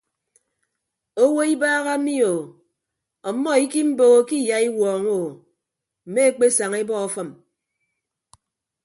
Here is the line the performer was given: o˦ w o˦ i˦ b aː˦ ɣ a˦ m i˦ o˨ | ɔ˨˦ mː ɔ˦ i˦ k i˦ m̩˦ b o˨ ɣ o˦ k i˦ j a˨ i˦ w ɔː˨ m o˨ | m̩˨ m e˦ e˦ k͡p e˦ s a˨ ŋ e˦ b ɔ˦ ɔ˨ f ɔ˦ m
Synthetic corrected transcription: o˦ w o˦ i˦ b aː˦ ɣ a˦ m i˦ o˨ | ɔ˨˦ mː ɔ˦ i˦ k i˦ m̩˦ b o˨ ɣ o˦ k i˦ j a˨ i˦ w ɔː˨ ŋ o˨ | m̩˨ m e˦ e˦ k͡p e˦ s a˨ ŋ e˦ b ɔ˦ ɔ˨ f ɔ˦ m